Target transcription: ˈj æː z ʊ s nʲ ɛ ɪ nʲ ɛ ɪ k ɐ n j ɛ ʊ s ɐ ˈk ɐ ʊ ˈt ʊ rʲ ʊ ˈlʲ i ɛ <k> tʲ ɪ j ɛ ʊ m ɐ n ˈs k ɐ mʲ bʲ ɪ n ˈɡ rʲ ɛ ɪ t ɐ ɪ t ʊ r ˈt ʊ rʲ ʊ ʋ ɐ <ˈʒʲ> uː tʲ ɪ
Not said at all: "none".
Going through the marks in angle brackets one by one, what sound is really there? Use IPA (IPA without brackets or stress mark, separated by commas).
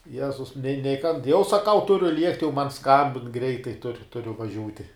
k, ʒʲ